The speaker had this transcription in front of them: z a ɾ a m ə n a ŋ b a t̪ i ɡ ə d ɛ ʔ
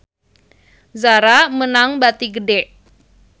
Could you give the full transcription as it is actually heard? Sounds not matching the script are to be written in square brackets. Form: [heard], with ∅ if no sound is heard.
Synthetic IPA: z a ɾ a m ə n a ŋ b a t̪ i ɡ ə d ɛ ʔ

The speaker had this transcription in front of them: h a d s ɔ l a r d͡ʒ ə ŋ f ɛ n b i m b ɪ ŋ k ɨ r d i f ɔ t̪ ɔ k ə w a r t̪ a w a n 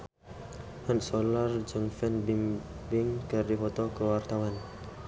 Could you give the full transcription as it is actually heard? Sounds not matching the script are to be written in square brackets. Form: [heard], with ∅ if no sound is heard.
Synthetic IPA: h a [n] s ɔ l a r d͡ʒ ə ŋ f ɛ n b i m b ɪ ŋ k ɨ r d i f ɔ t̪ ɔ k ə w a r t̪ a w a n

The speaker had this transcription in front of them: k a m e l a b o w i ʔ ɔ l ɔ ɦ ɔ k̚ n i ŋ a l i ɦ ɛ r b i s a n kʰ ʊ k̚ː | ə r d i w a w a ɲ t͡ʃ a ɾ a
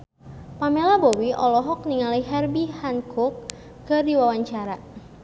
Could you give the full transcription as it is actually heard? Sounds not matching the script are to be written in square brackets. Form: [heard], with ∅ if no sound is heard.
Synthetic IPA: [p] a m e l a b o w i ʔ ɔ l ɔ ɦ ɔ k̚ n i ŋ a l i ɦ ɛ r b i [h] a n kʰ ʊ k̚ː | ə r d i w a w a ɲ t͡ʃ a ɾ a

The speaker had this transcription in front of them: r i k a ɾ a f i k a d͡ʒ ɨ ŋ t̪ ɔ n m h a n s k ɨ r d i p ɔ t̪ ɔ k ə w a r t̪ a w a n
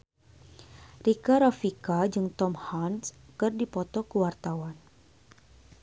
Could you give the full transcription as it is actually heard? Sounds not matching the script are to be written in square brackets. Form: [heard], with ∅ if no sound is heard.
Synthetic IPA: r i k a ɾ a f i k a d͡ʒ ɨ ŋ t̪ ɔ [∅] m h a n s k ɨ r d i p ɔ t̪ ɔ k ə w a r t̪ a w a n

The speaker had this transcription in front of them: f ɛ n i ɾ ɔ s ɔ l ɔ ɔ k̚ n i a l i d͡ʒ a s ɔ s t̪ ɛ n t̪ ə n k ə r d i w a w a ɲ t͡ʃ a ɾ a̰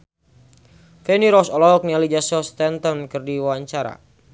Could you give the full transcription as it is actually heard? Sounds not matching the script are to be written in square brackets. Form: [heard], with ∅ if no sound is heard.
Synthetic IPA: f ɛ n i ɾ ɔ s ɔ l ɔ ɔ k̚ n i a l i d͡ʒ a s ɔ s t̪ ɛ n t̪ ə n k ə r d i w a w a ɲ t͡ʃ a ɾ a̰

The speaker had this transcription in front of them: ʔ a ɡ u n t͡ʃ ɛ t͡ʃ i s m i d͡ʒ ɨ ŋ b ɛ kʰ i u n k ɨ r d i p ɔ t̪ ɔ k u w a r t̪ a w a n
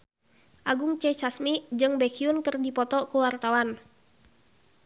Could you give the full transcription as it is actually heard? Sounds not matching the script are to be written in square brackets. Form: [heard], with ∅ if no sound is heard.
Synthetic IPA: ʔ a ɡ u [ŋ] t͡ʃ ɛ t͡ʃ [a] s m i d͡ʒ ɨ ŋ b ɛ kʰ i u n k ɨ r d i p ɔ t̪ ɔ k u w a r t̪ a w a n

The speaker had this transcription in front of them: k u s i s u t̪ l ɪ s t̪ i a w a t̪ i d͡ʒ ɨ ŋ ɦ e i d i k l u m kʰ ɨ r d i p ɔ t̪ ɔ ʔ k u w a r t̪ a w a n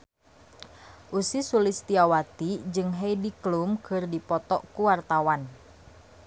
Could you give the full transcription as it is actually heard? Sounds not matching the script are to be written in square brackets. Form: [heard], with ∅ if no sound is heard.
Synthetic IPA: [ʔ] u s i s u [∅] l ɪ s t̪ i a w a t̪ i d͡ʒ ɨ ŋ ɦ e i d i k l u m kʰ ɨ r d i p ɔ t̪ ɔ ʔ k u w a r t̪ a w a n

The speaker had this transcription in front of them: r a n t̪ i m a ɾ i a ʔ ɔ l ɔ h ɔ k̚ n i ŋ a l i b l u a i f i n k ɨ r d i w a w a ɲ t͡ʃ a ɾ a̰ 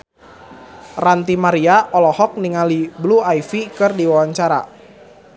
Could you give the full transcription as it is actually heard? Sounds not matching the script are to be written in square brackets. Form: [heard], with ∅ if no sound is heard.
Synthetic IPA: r a n t̪ i m a ɾ i a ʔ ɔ l ɔ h ɔ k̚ n i ŋ a l i b l u a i f i [∅] k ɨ r d i w a w a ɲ t͡ʃ a ɾ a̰

